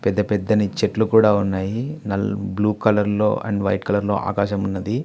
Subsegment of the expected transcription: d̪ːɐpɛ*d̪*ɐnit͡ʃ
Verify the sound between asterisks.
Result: incorrect: d̪ː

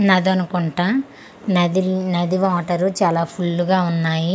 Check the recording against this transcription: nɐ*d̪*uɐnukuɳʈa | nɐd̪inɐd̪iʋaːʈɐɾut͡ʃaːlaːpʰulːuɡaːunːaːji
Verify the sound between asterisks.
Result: correct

